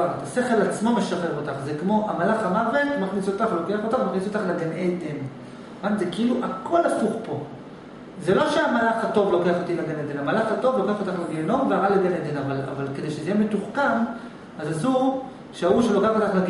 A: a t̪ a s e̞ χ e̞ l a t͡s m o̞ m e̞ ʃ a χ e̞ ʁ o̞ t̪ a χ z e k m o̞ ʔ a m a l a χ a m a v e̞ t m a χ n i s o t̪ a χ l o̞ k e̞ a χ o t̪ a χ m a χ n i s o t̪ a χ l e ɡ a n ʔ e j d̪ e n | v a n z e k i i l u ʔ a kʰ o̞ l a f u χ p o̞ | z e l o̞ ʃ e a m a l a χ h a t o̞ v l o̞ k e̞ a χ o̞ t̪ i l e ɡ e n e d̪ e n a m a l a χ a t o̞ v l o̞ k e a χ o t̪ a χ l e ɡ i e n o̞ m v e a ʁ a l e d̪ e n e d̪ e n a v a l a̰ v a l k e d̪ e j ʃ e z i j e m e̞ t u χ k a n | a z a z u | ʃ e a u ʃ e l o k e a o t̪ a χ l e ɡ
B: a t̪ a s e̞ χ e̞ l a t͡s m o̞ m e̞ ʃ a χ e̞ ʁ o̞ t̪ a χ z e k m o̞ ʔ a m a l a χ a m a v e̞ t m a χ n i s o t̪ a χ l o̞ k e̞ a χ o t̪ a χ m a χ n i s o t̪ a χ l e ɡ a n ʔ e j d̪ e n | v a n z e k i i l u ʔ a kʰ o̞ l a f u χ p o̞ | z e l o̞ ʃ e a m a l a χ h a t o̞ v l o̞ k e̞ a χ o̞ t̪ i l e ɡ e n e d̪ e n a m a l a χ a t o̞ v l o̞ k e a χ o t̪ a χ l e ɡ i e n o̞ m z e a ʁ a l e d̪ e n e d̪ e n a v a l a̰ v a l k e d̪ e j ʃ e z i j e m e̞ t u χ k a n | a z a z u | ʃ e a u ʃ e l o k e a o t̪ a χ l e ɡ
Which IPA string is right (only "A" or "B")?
A